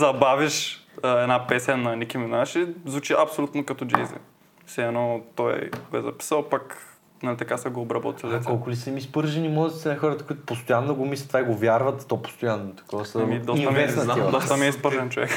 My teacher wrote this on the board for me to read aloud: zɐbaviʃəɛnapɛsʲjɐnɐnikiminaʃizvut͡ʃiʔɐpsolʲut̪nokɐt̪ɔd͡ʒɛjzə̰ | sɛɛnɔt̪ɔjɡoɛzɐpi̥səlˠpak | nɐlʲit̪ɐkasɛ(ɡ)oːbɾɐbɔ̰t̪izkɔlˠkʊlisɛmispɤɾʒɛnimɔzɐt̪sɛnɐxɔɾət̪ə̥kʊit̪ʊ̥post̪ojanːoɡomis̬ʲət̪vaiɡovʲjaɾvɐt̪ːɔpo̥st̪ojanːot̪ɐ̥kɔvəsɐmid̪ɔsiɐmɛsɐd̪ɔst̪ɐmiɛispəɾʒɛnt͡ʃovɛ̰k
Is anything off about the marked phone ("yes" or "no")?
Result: no